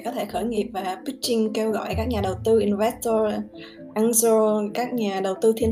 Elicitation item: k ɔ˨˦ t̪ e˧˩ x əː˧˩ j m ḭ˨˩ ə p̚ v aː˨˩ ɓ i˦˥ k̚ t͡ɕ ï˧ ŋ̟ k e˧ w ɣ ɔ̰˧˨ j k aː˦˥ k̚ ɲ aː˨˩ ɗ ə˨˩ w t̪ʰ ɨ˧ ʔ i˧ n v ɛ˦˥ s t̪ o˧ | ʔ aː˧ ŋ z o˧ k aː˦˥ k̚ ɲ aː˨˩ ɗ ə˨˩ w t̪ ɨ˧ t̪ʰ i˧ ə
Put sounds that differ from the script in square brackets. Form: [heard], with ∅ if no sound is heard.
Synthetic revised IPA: k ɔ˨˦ [t̪ʰ] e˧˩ x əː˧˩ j [ŋ] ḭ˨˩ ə p̚ v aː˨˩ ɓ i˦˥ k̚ t͡ɕ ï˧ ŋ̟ k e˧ w ɣ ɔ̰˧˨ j k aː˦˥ k̚ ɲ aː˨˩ ɗ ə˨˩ w [t̪] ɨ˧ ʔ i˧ n v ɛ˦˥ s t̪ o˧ | ʔ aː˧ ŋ z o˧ k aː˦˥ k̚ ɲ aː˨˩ ɗ ə˨˩ w t̪ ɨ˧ t̪ʰ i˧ ə